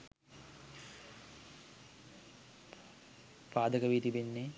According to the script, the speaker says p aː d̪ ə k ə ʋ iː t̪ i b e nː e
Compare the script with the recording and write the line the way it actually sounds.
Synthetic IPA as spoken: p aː d̪ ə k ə ʋ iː t̪ i b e nː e